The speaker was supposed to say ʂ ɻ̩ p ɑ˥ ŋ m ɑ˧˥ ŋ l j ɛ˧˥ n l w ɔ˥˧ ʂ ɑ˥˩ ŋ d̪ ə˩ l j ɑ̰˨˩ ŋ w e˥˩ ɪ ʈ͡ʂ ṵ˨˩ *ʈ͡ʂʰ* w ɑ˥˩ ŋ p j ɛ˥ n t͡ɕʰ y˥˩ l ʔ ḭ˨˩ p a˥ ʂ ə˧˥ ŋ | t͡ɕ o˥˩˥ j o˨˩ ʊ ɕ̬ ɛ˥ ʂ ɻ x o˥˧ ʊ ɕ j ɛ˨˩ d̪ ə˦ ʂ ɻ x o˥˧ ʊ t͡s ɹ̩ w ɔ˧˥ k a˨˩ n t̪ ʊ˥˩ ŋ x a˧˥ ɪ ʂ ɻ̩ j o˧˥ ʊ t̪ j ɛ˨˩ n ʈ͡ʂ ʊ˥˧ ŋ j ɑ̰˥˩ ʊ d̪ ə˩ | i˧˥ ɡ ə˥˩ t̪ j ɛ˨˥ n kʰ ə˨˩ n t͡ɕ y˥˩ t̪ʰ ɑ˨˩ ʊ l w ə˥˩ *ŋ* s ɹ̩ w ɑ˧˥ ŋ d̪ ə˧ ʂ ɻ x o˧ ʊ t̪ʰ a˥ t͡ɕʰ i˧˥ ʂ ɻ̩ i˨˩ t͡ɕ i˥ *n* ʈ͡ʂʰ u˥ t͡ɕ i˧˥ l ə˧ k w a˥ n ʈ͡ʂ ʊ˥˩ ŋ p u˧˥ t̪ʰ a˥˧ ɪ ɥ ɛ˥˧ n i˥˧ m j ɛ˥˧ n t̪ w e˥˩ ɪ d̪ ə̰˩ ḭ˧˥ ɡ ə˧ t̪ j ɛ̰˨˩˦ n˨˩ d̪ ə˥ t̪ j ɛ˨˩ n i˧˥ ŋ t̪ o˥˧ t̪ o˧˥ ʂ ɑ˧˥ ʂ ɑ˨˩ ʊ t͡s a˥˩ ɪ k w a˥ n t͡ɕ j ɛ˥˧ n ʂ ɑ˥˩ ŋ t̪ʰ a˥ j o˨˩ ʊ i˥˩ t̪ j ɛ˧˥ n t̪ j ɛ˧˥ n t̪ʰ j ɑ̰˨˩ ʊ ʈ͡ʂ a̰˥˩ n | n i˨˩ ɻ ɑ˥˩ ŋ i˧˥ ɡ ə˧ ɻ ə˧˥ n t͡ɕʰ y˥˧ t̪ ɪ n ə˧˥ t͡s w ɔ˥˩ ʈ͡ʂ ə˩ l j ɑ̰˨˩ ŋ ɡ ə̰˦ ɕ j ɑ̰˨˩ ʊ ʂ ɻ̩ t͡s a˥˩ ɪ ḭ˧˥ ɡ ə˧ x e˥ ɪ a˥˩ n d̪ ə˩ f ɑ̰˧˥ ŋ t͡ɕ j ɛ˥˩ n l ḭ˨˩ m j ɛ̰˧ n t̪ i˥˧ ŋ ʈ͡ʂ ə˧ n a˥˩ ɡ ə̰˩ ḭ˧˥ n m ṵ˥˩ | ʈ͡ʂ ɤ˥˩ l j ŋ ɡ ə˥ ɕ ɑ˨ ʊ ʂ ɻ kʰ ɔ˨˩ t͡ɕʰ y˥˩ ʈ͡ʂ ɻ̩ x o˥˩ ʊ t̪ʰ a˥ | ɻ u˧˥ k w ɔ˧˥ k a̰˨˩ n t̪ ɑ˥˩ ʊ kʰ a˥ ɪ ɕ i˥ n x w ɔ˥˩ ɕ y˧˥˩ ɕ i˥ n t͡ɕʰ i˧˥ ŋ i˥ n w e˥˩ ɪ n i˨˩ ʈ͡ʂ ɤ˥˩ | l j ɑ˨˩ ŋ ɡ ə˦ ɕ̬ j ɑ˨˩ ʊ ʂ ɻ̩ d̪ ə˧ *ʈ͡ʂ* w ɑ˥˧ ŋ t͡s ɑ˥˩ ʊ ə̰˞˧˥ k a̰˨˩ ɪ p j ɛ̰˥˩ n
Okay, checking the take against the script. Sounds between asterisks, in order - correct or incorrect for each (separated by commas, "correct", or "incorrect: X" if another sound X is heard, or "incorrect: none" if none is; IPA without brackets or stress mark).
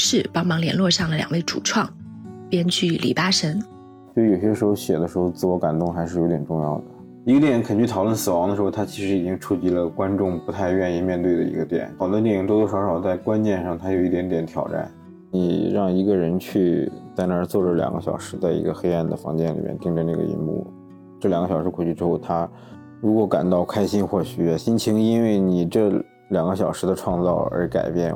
correct, incorrect: n, incorrect: ŋ, incorrect: ʈ͡ʂʰ